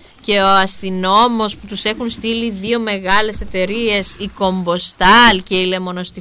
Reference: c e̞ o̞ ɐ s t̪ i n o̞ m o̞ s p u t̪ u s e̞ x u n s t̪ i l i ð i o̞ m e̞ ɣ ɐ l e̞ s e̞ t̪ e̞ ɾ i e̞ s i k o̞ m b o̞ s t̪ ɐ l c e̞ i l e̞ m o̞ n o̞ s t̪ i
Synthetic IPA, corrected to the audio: c e̞ o̞ ɐ s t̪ i n o̞ m o̞ s p u t̪ u s e̞ x u n s t̪ i l i ð i o̞ m e̞ ɣ ɐ l e̞ s e̞ t̪ e̞ ɾ i e̞ s i k o̞ m b o̞ s t̪ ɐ l c e̞ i l e̞ m o̞ n o̞ s t̪ i